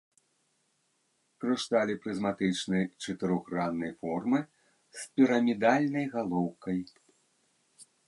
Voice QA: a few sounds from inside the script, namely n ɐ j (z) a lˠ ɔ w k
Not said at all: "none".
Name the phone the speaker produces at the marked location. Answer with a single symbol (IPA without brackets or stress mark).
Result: ɣ